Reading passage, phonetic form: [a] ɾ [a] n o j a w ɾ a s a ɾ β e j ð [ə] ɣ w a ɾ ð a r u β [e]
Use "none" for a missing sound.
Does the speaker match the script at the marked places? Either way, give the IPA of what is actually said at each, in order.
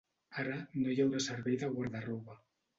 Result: a, a, a, a

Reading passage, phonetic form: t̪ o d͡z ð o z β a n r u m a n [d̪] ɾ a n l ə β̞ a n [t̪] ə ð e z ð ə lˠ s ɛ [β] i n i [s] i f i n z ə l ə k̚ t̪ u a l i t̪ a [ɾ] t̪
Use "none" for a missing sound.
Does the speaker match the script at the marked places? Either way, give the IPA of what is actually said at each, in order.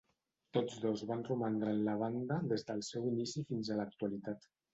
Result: d̪, d̪, w, s, none

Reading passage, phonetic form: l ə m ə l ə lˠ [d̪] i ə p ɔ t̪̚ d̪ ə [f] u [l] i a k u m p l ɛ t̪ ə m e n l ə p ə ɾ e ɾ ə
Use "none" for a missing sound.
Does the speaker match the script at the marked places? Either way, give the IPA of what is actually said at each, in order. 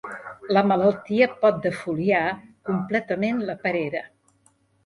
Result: t̪, f, l

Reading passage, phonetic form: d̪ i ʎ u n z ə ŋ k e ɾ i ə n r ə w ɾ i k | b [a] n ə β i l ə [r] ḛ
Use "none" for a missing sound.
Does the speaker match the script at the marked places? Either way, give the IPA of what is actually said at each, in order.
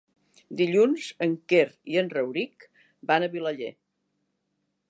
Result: a, ʎ

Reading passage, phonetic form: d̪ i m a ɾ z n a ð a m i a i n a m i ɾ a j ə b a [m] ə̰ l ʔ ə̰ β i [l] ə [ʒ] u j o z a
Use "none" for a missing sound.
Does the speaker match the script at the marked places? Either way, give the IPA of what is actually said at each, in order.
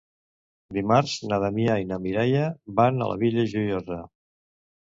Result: n, ʎ, ʒ

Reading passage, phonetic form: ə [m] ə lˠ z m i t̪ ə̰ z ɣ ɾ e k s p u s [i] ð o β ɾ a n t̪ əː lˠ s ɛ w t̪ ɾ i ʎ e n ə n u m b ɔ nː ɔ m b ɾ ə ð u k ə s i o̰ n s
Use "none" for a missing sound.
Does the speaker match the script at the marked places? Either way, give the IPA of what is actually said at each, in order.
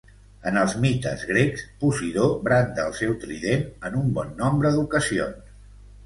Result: n, i

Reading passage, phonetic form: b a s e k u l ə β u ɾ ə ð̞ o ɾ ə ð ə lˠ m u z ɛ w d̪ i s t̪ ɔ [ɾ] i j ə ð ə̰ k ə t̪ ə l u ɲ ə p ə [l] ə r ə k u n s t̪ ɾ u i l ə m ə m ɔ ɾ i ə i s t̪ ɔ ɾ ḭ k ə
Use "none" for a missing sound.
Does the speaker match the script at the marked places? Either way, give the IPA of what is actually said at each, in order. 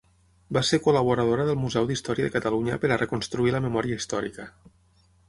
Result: ɾ, ɾ

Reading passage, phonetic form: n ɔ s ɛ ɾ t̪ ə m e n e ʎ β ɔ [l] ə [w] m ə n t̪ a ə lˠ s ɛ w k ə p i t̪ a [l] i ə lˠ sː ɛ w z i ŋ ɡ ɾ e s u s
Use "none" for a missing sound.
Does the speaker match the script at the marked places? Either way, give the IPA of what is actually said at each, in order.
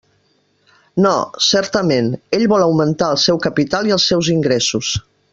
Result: l, w, l

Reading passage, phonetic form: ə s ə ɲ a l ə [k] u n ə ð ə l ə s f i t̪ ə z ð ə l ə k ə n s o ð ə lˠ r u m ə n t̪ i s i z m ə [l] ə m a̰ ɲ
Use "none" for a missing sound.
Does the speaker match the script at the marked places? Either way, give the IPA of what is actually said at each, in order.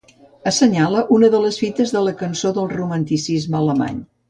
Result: ʔ, l

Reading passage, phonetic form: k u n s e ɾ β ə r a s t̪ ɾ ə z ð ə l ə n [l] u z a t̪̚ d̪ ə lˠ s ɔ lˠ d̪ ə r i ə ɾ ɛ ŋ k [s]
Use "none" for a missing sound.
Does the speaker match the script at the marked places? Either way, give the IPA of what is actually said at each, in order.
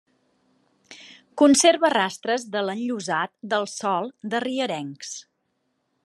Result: ʎ, s

